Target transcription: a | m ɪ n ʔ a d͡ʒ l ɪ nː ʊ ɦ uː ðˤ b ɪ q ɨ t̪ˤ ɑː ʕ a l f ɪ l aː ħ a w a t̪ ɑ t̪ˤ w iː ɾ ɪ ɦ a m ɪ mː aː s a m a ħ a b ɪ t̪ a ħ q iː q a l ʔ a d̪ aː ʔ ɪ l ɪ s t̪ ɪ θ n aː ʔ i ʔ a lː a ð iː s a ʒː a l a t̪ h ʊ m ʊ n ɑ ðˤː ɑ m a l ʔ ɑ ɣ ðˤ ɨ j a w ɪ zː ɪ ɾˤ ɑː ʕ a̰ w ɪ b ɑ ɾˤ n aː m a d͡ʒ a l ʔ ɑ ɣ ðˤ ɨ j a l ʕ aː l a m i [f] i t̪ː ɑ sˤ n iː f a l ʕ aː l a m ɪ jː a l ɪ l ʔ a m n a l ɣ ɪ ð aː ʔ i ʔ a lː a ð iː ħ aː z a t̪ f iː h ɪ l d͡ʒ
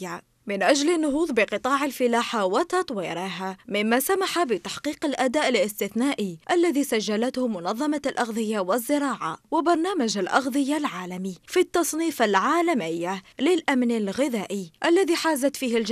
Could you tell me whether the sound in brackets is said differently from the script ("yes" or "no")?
no